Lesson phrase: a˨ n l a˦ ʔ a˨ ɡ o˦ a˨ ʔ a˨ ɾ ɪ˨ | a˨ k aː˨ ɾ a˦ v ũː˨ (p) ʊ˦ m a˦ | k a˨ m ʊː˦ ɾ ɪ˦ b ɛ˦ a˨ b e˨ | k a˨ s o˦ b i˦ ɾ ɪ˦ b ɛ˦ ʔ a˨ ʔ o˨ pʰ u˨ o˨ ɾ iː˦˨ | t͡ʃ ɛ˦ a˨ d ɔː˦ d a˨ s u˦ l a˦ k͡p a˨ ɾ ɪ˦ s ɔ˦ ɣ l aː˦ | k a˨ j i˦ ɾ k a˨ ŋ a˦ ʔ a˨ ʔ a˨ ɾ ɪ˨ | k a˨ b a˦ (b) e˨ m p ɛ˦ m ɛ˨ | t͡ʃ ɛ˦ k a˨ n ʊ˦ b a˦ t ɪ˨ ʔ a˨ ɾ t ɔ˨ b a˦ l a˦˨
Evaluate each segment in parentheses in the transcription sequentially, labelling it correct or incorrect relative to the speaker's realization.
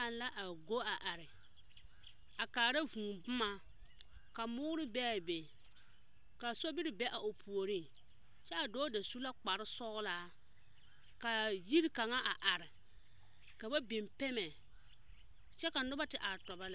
incorrect: b, correct

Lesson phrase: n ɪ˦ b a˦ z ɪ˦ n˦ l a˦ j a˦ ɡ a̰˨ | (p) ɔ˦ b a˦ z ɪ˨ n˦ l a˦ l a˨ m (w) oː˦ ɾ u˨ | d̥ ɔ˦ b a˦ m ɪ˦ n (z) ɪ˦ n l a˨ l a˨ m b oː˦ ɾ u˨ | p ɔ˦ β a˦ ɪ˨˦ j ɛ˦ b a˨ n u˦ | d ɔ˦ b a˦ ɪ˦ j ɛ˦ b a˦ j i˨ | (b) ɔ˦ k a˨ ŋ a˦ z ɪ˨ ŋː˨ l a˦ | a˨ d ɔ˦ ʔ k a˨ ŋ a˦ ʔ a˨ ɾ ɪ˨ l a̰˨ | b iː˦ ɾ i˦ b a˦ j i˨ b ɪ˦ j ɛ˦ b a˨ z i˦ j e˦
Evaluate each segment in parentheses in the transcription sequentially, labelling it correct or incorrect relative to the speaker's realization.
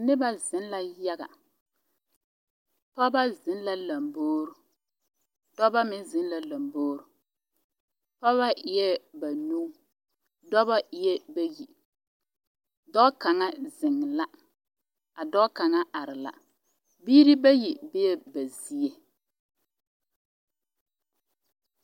correct, incorrect: b, correct, incorrect: d

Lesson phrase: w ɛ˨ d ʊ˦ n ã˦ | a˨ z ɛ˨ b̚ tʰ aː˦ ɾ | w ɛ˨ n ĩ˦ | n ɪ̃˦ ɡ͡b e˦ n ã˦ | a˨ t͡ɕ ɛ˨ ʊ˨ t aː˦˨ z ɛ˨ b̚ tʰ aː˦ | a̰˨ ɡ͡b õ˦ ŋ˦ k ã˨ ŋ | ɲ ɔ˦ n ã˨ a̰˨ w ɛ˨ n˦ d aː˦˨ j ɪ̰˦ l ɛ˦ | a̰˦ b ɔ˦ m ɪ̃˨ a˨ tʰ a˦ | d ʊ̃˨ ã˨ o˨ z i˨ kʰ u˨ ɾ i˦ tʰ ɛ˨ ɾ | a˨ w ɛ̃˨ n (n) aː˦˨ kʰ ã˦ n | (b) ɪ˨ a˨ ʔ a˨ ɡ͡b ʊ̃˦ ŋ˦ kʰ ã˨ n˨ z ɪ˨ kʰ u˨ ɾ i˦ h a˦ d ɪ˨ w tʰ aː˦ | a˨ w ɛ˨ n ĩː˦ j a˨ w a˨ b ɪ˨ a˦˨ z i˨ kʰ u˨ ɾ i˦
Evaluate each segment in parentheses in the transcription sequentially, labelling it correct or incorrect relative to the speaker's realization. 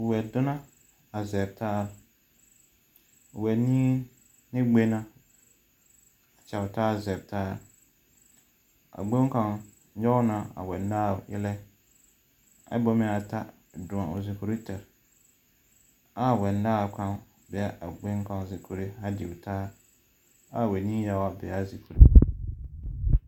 incorrect: d, correct

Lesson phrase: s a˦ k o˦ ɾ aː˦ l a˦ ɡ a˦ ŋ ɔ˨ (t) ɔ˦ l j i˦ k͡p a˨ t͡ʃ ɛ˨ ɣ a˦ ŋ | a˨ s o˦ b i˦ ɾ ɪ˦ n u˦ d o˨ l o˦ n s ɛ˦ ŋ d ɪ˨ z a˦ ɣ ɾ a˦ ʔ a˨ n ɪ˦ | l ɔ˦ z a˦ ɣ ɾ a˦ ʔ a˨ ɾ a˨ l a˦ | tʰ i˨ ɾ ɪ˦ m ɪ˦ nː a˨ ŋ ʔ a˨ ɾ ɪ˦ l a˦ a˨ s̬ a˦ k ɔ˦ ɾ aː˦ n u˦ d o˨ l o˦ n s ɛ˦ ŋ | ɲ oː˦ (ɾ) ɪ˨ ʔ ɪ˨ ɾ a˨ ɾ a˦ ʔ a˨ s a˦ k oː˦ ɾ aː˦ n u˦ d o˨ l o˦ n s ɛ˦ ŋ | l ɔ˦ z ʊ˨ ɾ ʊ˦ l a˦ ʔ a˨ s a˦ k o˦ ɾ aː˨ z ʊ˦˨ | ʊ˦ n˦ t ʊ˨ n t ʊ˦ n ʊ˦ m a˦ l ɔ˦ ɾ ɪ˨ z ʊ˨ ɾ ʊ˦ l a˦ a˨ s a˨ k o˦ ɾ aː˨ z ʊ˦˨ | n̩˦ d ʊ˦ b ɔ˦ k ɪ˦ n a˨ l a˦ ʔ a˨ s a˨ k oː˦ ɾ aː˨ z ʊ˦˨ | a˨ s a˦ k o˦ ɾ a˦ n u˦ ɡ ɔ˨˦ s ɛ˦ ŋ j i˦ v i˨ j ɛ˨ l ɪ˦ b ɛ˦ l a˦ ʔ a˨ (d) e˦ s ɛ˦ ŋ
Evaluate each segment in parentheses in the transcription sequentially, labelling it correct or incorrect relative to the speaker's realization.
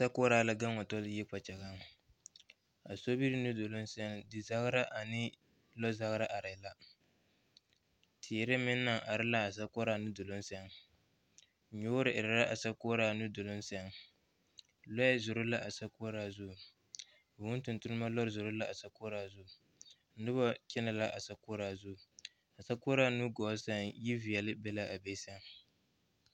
correct, correct, incorrect: b

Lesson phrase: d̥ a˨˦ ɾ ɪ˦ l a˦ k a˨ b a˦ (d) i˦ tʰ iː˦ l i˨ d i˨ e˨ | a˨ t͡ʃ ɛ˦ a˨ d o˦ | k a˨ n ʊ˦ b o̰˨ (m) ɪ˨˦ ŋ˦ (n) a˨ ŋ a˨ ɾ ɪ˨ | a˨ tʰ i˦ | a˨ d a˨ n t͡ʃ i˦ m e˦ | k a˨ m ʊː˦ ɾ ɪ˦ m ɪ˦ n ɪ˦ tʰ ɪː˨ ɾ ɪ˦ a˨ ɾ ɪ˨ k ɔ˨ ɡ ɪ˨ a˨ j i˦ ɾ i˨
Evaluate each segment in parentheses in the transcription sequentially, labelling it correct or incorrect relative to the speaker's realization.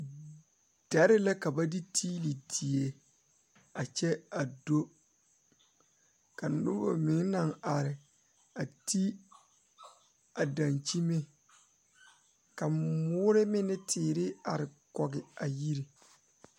correct, correct, correct

